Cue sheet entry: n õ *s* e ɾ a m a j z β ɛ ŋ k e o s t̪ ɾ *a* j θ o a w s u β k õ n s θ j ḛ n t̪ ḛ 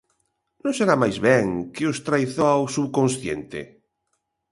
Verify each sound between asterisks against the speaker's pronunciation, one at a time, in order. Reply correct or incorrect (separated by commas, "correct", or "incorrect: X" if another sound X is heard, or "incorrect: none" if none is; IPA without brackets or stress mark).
correct, correct